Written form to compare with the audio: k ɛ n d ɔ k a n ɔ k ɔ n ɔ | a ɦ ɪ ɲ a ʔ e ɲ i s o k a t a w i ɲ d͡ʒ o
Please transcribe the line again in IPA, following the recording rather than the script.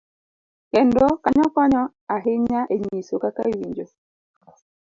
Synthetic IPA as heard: k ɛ n d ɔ k a ɲ ɔ k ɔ ɲ ɔ | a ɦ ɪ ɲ a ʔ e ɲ i s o k a k a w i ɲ d͡ʒ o